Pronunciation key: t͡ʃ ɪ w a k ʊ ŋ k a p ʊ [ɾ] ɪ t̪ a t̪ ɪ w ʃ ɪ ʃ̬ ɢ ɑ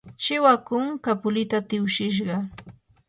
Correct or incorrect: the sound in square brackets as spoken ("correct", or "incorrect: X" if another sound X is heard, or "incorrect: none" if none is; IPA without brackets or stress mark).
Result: incorrect: l